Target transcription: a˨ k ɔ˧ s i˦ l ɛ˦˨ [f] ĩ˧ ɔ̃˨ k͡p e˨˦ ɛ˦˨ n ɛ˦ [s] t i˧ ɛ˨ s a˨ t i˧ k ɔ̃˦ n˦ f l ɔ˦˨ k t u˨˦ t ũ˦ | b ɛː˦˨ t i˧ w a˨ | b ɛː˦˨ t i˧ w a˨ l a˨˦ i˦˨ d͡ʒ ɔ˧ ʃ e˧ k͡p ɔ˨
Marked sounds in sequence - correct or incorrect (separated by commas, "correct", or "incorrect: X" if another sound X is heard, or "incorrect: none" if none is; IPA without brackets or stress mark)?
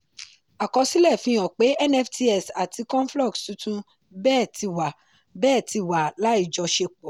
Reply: correct, incorrect: f